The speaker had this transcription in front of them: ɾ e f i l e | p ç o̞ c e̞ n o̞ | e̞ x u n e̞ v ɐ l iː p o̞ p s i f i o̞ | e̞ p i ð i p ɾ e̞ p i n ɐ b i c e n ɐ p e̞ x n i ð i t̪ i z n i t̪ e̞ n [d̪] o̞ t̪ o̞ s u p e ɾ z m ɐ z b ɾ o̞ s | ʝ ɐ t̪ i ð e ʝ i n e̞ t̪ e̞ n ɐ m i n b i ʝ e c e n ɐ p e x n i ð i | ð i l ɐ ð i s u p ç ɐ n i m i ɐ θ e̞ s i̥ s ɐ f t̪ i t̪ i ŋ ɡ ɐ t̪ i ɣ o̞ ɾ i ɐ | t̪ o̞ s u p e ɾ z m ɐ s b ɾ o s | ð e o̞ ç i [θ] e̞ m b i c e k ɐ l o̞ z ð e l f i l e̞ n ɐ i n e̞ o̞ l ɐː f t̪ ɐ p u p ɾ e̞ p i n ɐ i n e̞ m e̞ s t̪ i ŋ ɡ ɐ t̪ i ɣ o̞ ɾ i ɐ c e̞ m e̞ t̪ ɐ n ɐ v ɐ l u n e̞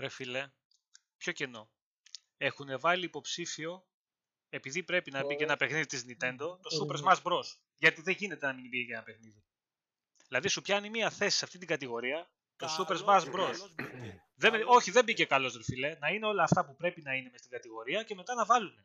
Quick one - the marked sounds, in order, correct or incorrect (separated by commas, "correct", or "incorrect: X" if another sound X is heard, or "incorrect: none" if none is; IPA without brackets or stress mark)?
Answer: correct, incorrect: ð